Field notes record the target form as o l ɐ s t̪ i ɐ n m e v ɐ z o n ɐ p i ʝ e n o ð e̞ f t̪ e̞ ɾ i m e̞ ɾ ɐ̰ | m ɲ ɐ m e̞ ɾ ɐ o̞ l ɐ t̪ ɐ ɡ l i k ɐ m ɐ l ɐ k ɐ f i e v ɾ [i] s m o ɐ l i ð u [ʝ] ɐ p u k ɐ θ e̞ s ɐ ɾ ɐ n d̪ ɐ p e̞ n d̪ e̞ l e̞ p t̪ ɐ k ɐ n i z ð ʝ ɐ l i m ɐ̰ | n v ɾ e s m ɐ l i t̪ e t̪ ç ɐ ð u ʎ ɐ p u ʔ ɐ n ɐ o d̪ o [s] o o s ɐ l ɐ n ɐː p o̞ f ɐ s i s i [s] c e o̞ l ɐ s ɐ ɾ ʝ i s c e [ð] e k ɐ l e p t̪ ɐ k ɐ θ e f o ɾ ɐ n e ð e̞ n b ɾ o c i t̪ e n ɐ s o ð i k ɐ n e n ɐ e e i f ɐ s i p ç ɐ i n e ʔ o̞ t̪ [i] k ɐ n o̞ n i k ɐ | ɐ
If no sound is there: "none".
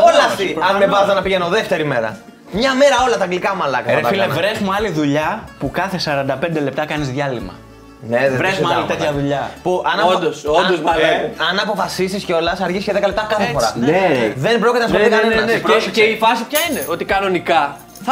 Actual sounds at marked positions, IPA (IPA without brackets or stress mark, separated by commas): e, ʎ, s, s, ð, i